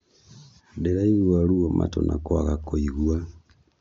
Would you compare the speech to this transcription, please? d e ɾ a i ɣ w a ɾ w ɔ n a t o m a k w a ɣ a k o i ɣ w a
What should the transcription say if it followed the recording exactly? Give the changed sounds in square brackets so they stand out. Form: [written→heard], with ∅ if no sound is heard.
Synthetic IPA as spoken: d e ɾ a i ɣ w a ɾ [w→u] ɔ [n→m] a t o [m→n] a k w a ɣ a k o i ɣ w a